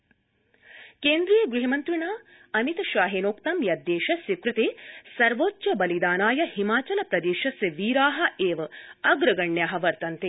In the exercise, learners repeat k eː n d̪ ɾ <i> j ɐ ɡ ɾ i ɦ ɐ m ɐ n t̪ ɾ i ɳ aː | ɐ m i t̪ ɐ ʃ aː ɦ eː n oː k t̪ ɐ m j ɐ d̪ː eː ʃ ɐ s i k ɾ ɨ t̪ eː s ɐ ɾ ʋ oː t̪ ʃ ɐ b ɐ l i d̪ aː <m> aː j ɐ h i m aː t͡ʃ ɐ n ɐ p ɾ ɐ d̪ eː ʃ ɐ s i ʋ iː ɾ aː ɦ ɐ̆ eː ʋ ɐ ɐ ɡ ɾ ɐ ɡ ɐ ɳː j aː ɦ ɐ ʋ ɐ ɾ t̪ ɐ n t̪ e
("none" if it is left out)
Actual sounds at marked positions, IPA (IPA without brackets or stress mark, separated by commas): i, n